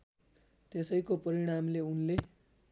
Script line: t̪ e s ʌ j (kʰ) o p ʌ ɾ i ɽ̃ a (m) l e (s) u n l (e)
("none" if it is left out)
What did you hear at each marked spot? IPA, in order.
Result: k, m, none, e

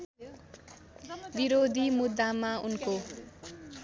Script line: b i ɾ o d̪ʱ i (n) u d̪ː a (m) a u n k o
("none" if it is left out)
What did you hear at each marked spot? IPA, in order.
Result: m, m

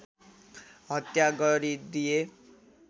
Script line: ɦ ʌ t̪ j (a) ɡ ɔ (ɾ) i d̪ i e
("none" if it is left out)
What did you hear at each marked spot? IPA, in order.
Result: a, ɾ

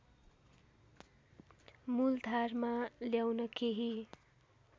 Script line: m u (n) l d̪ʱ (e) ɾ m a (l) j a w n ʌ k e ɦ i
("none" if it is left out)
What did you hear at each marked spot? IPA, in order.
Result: none, a, l

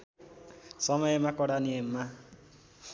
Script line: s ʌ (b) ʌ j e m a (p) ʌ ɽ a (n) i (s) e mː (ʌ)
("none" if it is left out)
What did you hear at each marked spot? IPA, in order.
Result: m, k, n, none, a

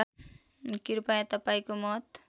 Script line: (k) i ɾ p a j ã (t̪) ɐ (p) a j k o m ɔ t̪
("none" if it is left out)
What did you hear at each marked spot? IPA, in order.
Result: k, t̪, p

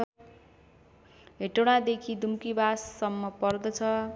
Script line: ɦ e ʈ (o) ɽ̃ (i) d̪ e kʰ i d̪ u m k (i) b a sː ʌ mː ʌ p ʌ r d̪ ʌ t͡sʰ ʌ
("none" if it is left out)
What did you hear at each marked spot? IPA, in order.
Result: o, a, i

